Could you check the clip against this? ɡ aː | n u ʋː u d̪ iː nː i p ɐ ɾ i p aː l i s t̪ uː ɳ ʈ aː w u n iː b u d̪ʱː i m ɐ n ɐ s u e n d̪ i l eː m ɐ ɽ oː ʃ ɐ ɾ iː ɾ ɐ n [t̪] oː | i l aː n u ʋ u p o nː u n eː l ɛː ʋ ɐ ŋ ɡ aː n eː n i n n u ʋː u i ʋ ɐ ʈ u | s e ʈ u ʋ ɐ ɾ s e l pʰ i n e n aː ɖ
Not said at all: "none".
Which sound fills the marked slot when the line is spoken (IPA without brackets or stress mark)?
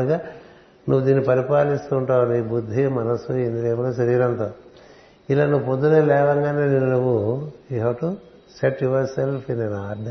t̪